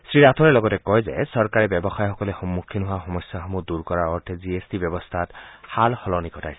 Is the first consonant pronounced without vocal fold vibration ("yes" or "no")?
yes